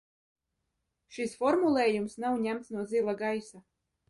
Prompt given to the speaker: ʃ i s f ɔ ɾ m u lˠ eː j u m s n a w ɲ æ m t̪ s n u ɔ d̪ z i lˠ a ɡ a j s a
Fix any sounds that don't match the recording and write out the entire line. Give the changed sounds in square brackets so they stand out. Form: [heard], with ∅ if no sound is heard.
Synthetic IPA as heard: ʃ i s f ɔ ɾ m u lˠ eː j u m s n a w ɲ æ m t̪ s n u ɔ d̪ z i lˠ a ɡ a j s a